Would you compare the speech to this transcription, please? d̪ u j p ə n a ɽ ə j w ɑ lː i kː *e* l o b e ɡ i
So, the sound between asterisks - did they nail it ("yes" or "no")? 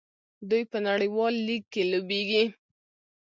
yes